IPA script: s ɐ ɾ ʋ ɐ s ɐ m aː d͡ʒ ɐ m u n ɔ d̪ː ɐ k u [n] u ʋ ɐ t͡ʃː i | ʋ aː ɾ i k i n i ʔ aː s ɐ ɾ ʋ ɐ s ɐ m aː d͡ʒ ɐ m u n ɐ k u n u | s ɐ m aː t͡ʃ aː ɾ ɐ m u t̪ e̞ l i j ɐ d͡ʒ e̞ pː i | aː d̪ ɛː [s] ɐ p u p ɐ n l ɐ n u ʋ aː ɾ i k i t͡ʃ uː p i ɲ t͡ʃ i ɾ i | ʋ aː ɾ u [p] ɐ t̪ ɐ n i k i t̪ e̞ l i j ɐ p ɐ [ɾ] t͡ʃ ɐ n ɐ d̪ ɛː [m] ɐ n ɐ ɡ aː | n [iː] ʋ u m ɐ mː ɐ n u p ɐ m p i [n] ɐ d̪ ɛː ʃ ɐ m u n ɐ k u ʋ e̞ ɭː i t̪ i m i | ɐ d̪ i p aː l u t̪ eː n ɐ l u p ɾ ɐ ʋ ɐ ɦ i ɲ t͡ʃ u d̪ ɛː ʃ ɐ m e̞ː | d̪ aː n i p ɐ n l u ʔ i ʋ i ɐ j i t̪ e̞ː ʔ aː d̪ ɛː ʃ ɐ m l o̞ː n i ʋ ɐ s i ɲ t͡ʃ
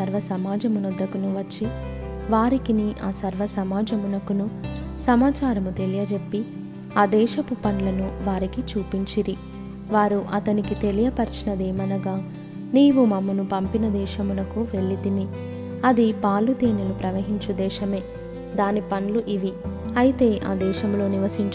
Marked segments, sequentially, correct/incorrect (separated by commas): correct, incorrect, incorrect, correct, correct, correct, correct